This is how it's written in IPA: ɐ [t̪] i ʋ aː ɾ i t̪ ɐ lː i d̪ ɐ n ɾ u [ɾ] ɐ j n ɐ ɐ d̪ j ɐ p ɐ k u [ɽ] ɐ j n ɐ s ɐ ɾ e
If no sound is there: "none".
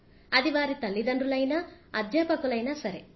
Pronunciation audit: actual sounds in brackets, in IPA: d̪, l, l

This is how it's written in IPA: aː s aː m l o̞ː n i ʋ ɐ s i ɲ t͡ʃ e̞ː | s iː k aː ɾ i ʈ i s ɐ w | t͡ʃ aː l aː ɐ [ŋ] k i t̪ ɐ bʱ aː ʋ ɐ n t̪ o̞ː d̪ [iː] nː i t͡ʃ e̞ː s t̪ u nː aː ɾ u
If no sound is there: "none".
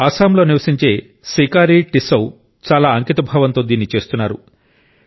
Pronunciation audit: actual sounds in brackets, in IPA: ŋ, iː

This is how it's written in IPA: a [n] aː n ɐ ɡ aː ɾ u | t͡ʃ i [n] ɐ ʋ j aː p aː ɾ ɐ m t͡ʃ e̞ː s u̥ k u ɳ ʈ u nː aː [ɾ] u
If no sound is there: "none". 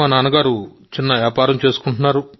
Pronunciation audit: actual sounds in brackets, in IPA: n, nː, ɾ

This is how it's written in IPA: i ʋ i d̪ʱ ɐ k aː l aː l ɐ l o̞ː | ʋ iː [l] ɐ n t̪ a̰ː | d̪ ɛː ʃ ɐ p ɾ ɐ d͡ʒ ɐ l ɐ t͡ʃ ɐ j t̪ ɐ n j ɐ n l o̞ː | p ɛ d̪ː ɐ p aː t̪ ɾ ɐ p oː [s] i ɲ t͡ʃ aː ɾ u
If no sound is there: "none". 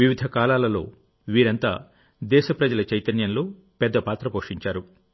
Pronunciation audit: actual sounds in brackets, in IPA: ɾ, ʂ

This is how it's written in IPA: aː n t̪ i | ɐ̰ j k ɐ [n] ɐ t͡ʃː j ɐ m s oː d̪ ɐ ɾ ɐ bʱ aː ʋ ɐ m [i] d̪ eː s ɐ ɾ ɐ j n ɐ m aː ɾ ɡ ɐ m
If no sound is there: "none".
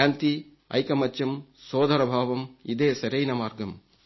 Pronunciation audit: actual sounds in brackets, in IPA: m, i

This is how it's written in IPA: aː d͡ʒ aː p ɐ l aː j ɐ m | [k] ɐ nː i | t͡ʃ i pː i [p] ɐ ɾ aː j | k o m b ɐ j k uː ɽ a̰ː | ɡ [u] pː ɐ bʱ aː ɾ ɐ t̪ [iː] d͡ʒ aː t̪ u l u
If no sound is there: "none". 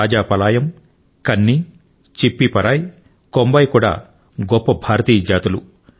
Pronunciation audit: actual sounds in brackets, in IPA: k, p, ɔ, iː

